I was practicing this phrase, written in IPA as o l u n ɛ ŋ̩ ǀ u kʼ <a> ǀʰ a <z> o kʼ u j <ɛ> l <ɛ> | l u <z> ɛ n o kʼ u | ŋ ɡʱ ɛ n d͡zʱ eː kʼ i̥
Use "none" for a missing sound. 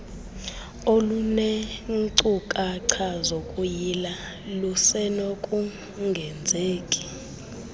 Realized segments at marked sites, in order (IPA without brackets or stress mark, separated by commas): a, z, i, a, s